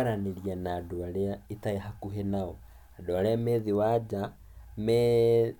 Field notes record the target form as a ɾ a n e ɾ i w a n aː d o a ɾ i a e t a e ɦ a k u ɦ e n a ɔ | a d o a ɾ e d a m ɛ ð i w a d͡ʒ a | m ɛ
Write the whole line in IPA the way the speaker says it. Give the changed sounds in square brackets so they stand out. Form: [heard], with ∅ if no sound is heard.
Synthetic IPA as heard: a ɾ a n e ɾ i [∅] a n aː d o a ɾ [e] a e t a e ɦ a k u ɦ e n a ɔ | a d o a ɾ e [∅] a m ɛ ð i w a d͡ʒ a | m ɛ